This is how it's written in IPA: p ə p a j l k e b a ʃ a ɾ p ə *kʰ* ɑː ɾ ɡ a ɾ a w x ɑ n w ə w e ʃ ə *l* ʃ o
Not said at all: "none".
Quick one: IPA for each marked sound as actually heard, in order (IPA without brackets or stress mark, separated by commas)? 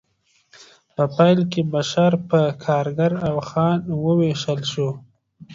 kʰ, l